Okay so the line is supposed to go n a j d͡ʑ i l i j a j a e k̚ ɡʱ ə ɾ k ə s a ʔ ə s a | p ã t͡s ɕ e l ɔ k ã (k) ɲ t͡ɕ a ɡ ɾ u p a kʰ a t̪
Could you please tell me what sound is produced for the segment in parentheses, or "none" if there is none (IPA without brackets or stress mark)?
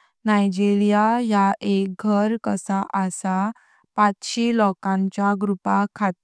none